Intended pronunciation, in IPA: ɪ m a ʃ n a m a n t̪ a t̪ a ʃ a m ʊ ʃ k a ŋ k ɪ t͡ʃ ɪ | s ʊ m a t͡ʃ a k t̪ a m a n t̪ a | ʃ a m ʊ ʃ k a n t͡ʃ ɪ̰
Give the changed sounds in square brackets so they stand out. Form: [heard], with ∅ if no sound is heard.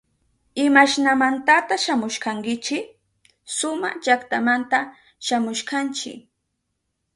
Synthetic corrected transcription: ɪ m a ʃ n a m a n t̪ a t̪ a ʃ a m ʊ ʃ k a ŋ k ɪ t͡ʃ ɪ | s ʊ m a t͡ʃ a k t̪ a m a n t̪ a | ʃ a m ʊ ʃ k a n t͡ʃ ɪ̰